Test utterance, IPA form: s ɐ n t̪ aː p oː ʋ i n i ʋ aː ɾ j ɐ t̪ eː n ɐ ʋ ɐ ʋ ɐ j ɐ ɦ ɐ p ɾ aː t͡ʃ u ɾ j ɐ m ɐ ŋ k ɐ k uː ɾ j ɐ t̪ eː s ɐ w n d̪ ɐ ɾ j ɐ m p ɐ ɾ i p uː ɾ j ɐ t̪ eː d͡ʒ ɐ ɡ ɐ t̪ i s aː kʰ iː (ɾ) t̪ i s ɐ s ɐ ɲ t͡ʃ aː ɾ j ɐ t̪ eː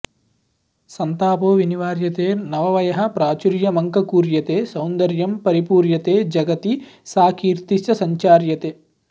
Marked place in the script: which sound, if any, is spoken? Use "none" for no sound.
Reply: ɾ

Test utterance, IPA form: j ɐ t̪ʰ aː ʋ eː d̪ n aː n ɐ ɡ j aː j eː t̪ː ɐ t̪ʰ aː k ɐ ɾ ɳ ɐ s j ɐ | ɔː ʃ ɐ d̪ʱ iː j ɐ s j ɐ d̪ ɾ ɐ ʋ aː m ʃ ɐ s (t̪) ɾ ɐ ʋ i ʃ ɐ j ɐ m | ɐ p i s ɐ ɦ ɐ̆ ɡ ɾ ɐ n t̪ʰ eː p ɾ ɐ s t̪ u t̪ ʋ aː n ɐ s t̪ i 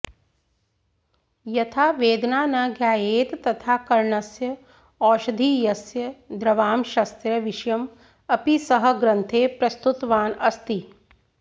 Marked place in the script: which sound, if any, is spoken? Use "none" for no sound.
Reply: t̪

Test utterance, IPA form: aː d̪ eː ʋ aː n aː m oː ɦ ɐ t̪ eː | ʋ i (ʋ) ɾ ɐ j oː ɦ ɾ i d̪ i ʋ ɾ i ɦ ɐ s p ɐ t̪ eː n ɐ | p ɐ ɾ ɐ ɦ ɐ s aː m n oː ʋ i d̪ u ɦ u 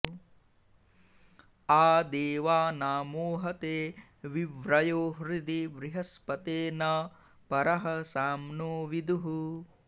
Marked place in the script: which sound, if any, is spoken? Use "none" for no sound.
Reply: ʋ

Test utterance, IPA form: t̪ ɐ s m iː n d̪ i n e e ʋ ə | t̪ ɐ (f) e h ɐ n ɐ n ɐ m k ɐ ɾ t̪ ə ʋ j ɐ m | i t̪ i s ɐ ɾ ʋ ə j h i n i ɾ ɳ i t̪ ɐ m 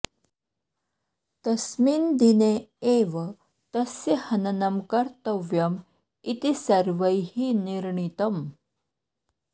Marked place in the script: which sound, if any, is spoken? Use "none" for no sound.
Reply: s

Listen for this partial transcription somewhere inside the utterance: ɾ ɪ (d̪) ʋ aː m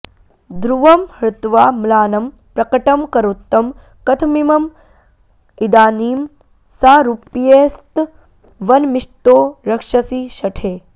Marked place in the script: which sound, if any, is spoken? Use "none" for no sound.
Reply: t̪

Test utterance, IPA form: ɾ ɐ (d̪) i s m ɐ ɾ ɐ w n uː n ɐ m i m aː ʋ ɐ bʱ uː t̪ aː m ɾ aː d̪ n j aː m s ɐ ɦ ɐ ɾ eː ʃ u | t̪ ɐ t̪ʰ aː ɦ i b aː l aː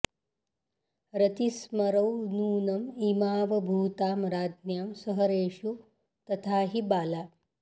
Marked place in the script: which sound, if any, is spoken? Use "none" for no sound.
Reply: t̪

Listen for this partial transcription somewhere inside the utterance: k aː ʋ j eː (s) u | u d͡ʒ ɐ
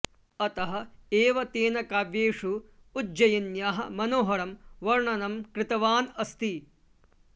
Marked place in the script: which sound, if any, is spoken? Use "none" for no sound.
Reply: ʂ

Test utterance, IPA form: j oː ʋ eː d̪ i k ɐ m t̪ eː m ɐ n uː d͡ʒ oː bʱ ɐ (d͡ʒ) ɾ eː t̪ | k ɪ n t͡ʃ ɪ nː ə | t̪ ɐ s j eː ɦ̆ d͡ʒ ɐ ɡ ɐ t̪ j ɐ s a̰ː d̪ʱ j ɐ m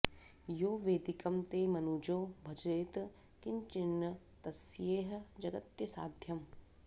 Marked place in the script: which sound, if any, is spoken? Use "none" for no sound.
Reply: d͡ʒ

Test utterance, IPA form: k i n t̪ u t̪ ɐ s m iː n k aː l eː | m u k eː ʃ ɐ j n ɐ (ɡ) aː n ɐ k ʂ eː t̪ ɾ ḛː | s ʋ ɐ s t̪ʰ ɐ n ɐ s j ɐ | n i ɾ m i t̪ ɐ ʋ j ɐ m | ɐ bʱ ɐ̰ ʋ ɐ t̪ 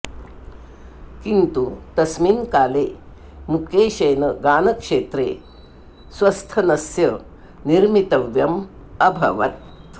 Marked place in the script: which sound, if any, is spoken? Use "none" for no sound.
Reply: ɡ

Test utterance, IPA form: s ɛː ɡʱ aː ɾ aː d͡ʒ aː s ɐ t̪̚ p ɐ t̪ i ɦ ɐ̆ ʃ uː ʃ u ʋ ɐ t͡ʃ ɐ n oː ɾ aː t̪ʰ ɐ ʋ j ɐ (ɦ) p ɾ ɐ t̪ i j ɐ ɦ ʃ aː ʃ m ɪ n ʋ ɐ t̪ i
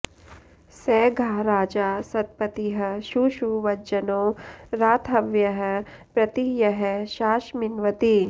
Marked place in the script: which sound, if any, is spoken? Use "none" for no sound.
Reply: ɦ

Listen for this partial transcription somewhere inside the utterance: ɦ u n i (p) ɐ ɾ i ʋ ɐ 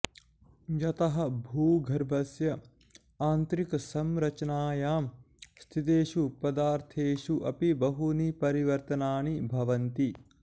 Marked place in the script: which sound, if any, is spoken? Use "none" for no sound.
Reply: p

